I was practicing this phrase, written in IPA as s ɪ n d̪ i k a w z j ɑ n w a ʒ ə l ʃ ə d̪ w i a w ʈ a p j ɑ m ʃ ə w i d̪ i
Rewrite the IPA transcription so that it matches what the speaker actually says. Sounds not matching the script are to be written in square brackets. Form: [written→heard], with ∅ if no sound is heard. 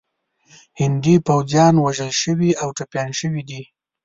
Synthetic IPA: [s→h] ɪ n d̪ i [k→p] a w z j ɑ n w a ʒ ə l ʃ ə [d̪→∅] w i a w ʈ a p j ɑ [m→n] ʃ ə w i d̪ i